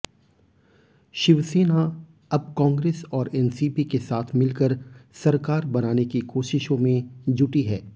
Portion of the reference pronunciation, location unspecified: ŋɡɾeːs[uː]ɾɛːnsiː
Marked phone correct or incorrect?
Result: incorrect